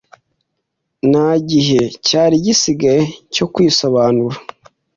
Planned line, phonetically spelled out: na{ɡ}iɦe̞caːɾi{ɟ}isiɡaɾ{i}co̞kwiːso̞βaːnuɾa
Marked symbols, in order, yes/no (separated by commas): no, yes, no